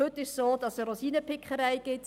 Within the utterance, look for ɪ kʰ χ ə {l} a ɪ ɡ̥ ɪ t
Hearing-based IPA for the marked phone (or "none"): ɾ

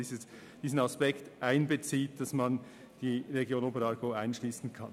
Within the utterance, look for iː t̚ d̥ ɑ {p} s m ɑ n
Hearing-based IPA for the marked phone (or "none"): none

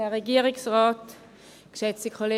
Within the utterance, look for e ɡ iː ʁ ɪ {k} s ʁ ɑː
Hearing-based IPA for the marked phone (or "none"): k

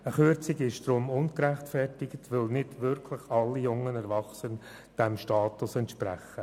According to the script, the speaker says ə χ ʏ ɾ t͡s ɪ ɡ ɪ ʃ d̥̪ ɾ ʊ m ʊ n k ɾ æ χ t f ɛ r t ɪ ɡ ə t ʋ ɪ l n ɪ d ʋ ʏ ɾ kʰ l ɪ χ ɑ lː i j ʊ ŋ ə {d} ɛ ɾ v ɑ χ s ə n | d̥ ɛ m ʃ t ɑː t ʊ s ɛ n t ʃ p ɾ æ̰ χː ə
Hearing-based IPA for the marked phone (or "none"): n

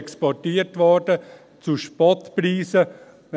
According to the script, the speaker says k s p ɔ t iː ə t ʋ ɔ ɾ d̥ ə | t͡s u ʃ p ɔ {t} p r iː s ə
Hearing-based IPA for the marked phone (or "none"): t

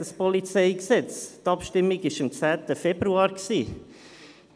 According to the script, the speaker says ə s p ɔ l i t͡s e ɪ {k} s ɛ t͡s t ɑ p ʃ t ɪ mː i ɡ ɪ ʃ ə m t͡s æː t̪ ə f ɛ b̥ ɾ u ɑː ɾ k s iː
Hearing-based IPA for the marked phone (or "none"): k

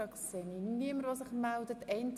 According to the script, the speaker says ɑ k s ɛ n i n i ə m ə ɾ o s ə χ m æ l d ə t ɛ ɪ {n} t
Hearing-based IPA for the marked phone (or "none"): n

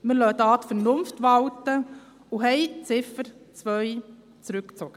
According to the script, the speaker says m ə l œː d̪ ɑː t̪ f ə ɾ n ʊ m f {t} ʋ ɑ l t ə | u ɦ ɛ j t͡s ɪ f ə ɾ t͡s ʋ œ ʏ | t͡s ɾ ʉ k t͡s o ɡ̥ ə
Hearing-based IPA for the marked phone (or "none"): t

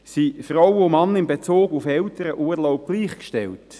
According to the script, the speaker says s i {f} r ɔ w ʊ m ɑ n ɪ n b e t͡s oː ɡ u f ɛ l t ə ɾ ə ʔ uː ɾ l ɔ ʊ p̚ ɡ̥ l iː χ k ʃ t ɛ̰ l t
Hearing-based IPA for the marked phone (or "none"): f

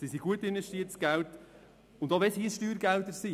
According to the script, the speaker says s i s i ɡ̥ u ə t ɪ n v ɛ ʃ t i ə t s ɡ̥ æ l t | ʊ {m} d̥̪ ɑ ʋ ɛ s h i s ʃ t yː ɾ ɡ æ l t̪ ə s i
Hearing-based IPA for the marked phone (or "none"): n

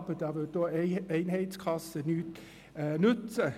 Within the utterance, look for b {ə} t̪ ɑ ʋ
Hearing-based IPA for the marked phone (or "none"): ə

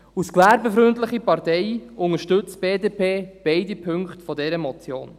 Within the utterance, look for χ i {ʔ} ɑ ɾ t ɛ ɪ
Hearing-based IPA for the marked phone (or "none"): p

